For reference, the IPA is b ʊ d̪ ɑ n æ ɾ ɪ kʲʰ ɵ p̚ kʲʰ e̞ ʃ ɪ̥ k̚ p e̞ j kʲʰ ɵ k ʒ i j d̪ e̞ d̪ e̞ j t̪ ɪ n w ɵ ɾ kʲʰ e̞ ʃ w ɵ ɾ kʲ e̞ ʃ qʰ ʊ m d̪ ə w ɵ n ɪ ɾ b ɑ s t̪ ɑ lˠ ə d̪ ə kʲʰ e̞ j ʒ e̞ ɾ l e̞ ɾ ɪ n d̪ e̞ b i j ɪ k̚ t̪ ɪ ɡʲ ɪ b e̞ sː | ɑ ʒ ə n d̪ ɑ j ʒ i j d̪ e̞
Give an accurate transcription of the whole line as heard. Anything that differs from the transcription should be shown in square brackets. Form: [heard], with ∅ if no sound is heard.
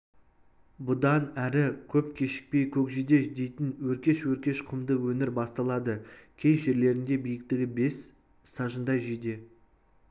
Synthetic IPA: b ʊ d̪ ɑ n æ ɾ ɪ kʲʰ ɵ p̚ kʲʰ e̞ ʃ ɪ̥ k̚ p e̞ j kʲʰ ɵ k ʒ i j d̪ e̞ d̪ e̞ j t̪ ɪ n w ɵ ɾ [kʲ] e̞ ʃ w ɵ ɾ kʲ e̞ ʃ qʰ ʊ m d̪ ə w ɵ n ɪ ɾ b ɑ s t̪ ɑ lˠ [ɑ] d̪ ə kʲʰ e̞ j ʒ e̞ ɾ l e̞ ɾ ɪ n d̪ e̞ b i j ɪ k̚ t̪ ɪ ɡʲ ɪ b e̞ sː | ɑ ʒ ə n d̪ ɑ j ʒ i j d̪ e̞

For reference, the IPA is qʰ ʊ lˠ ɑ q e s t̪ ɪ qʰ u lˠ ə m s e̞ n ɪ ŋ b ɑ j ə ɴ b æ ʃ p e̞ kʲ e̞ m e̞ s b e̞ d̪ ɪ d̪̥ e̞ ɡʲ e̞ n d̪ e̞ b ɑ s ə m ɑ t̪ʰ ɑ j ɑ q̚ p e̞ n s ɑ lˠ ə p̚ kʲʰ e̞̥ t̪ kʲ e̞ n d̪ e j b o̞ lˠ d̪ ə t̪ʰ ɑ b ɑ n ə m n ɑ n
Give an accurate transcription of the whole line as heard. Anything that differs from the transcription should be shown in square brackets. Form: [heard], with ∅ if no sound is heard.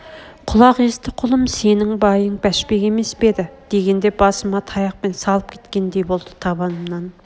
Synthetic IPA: qʰ ʊ lˠ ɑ q e s t̪ ɪ qʰ [ʊ] lˠ ə m s e̞ n ɪ ŋ b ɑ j ə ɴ b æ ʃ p e̞ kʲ e̞ m e̞ s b e̞ d̪ ɪ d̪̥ e̞ ɡʲ e̞ n d̪ e̞ b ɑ s ə m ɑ t̪ʰ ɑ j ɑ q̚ p e̞ n s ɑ lˠ ə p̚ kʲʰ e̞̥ t̪ kʲ e̞ n d̪ e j b o̞ lˠ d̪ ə t̪ʰ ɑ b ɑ n ə m n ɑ n

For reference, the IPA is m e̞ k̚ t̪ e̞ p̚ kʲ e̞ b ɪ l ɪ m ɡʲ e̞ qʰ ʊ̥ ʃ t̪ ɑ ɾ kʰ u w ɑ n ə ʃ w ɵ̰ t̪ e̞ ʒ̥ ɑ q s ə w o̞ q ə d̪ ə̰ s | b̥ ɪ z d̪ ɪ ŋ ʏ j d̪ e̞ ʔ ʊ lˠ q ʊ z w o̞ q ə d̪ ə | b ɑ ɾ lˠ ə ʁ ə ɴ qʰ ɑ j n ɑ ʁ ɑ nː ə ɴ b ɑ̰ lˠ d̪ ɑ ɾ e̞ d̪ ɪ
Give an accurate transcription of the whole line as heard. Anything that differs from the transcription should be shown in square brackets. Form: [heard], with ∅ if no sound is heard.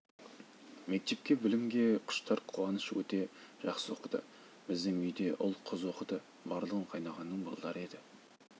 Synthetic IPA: m e̞ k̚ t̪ e̞ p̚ kʲ e̞ b ɪ l ɪ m ɡʲ e̞ qʰ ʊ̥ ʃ t̪ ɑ ɾ [qʰ] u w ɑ n ə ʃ w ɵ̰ t̪ e̞ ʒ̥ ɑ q s ə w o̞ q ə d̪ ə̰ [∅] | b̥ ɪ z d̪ ɪ ŋ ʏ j d̪ e̞ ʔ ʊ lˠ [qʰ] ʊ z w o̞ q ə d̪ ə | b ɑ ɾ lˠ ə ʁ ə ɴ qʰ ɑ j n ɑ ʁ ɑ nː ə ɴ b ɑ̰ lˠ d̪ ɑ ɾ e̞ d̪ ɪ

